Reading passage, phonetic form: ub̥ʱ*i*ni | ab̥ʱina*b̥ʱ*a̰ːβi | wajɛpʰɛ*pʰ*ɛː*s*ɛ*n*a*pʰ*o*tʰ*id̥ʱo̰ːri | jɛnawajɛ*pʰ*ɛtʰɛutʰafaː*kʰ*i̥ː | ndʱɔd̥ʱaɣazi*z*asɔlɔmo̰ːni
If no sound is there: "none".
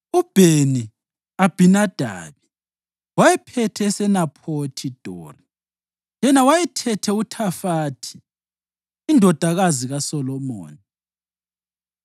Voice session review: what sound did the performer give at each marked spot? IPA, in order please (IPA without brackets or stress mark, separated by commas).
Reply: e, d̥ʱ, tʰ, s, n, pʰ, tʰ, tʰ, tʰ, ɣ